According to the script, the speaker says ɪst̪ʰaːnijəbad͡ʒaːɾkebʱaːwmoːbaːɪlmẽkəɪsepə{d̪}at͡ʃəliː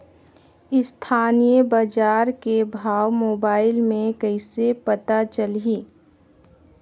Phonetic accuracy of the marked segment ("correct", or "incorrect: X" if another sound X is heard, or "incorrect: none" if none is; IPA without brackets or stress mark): incorrect: t̪